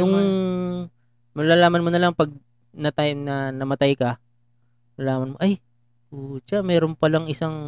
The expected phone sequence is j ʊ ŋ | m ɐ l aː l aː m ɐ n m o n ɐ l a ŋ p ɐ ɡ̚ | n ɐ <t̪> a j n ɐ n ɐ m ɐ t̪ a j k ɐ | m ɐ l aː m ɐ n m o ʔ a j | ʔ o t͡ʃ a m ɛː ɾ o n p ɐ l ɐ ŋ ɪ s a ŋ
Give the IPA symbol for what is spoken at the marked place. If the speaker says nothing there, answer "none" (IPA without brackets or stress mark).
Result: t̪